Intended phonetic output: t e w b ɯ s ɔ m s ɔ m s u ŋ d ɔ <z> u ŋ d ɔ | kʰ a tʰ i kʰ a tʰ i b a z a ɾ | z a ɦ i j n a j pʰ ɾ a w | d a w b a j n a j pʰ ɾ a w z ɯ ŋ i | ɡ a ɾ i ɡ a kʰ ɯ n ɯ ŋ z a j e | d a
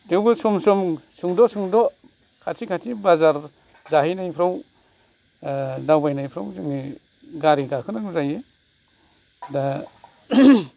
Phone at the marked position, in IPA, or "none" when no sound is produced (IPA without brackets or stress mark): s